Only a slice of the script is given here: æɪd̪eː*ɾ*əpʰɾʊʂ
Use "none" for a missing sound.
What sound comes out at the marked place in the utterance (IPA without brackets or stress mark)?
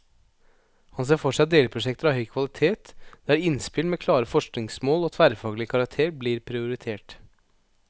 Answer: l